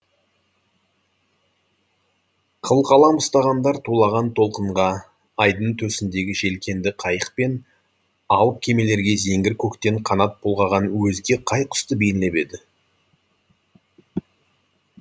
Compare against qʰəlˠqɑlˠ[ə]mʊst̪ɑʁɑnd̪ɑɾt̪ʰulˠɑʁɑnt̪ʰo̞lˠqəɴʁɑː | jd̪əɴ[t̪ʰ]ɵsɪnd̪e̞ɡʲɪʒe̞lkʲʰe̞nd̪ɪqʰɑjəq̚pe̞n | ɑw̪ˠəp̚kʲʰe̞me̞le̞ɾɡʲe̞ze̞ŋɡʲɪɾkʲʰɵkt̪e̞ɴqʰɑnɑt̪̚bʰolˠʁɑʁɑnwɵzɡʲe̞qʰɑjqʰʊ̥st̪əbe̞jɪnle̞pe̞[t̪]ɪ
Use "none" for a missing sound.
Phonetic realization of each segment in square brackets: ɑ, t̪ʰ, d̪

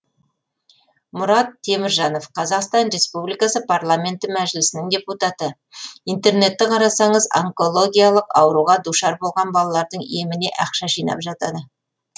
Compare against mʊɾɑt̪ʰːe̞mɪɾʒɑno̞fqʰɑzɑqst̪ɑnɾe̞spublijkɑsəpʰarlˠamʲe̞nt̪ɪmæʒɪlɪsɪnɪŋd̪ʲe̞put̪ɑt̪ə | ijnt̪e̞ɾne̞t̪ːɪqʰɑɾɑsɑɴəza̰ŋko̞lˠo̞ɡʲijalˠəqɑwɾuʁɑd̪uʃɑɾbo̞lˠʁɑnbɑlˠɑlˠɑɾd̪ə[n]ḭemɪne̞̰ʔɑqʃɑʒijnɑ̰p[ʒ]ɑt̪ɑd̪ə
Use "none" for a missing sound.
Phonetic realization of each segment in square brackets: ɴ, ʒ

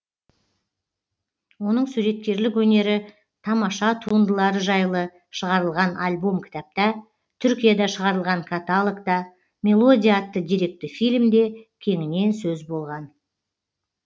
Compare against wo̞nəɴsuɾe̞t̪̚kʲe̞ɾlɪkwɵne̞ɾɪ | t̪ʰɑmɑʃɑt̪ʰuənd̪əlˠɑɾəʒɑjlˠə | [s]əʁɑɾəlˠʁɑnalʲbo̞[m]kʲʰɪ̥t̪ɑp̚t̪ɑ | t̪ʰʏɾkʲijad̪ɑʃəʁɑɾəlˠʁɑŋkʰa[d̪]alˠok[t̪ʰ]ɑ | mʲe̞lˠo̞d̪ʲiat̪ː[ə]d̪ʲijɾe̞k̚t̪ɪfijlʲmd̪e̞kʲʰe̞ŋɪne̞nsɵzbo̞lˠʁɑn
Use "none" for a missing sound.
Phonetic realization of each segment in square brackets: ʃ, m, t̪, t̪, ə

